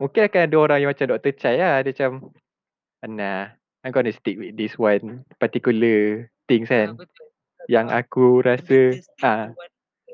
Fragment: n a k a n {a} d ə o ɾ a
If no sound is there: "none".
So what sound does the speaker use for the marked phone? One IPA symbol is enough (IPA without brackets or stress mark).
a